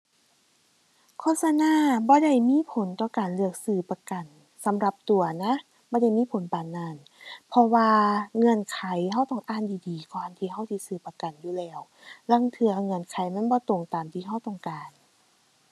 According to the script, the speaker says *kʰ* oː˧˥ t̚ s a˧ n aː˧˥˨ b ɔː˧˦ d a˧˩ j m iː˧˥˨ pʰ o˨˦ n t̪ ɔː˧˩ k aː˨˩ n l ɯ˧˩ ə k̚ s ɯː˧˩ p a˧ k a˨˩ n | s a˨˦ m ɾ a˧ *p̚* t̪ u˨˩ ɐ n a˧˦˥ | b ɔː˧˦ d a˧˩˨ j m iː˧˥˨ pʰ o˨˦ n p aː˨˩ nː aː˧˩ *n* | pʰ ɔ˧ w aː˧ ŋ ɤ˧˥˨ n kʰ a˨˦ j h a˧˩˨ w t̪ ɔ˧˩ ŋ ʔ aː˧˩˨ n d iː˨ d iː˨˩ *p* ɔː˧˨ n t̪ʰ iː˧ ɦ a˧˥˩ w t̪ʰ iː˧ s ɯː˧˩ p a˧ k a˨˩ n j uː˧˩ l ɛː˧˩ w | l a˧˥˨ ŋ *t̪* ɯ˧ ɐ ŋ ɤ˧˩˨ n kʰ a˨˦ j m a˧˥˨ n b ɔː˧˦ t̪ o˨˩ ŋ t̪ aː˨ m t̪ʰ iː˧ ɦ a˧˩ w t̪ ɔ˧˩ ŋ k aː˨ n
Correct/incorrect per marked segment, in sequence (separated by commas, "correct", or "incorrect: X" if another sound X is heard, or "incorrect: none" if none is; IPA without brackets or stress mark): correct, correct, correct, incorrect: k, incorrect: t̪ʰ